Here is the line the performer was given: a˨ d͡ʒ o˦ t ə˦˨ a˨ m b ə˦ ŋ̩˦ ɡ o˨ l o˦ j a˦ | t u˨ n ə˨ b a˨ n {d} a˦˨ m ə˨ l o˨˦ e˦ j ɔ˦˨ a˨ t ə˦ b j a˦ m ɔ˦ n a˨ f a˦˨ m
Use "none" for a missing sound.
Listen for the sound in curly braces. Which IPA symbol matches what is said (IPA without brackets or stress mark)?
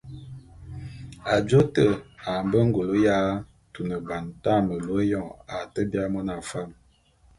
t